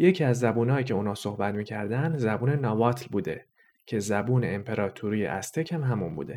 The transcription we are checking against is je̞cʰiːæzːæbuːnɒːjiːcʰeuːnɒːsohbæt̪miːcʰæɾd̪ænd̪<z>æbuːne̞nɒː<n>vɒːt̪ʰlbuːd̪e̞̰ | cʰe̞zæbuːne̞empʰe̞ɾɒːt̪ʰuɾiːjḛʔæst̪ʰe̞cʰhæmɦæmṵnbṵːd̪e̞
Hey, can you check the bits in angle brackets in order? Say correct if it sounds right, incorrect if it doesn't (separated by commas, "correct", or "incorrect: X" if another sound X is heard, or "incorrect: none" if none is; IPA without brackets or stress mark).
correct, incorrect: none